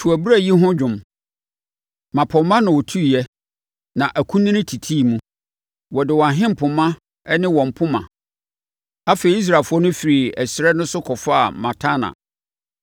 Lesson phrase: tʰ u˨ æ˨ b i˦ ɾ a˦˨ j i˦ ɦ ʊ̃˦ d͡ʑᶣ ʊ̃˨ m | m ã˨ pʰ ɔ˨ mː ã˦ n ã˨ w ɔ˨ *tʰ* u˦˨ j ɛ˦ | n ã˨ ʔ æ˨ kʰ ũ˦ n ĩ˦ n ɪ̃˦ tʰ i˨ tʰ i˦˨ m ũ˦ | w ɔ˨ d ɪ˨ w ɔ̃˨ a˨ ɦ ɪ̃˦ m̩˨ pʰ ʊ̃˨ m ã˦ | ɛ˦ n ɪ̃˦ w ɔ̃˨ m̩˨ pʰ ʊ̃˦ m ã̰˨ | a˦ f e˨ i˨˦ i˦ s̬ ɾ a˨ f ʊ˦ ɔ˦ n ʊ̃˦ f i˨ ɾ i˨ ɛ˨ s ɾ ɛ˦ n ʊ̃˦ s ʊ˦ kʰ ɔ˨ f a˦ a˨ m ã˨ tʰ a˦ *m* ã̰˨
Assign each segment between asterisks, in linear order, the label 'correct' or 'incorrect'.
correct, incorrect: n

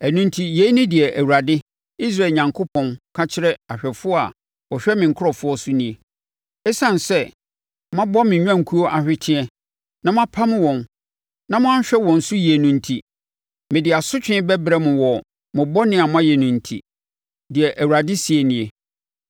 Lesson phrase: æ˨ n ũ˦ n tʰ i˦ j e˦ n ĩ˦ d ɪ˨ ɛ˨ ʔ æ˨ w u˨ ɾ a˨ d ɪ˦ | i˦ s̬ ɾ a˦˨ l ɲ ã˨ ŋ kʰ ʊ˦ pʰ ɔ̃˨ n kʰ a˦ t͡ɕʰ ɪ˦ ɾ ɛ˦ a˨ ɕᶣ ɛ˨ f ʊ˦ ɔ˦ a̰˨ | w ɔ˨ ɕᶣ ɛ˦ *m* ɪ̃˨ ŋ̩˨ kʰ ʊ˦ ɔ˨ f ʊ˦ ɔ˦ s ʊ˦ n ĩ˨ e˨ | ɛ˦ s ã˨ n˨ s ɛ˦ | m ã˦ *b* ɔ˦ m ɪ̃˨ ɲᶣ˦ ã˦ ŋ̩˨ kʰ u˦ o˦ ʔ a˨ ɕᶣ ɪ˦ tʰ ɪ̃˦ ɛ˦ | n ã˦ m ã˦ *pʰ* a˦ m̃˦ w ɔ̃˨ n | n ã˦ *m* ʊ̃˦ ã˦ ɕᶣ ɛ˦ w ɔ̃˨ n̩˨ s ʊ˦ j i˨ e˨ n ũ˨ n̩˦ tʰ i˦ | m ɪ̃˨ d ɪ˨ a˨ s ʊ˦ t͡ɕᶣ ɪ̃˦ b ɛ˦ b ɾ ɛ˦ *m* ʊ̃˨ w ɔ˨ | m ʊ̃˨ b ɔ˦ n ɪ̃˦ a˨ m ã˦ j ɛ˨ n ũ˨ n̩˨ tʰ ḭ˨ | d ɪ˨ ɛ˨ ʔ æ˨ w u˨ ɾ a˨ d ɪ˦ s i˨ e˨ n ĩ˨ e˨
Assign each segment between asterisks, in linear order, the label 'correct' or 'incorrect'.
correct, correct, correct, correct, correct

